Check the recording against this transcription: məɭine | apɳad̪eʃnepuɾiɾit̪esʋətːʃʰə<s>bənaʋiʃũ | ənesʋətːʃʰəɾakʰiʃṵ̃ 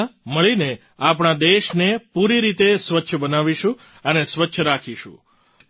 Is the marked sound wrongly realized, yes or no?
yes